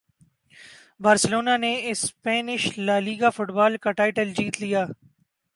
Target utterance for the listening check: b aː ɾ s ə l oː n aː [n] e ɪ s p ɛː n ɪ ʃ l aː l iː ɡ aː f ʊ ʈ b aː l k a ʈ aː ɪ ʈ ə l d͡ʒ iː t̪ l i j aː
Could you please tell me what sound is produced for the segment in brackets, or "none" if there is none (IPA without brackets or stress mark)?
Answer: n